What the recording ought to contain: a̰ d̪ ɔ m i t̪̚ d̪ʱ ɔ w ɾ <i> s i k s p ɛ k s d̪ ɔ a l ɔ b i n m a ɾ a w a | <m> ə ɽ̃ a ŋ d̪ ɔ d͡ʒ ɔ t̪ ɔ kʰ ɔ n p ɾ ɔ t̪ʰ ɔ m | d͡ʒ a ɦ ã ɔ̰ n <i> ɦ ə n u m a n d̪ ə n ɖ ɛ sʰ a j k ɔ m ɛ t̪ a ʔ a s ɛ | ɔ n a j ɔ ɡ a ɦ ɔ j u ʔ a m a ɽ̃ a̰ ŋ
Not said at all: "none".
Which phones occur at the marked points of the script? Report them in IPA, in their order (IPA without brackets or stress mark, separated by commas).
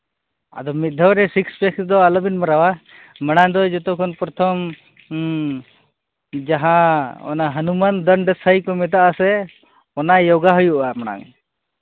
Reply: ɛ, m, a